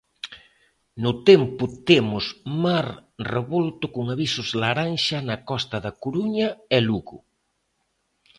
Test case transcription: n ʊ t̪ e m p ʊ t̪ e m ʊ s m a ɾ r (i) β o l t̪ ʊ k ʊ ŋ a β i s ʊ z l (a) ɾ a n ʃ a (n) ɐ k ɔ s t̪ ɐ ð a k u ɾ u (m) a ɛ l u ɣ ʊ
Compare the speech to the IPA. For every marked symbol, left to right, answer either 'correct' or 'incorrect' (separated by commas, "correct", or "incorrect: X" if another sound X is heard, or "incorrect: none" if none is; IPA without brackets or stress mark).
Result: incorrect: e, correct, correct, incorrect: ɲ